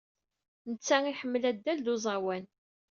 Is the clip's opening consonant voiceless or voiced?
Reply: voiced